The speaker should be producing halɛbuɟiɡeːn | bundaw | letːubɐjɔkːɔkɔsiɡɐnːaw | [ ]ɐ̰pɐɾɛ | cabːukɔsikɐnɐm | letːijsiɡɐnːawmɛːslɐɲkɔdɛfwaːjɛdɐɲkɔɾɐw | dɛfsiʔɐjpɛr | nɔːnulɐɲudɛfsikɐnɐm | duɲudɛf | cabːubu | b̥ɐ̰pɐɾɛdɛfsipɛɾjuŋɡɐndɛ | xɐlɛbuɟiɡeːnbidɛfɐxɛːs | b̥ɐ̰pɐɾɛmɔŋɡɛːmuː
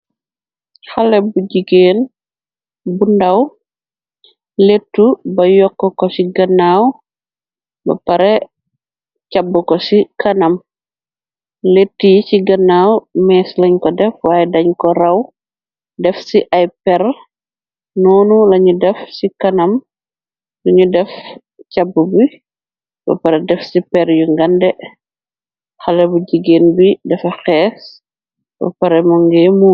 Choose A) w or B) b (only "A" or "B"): B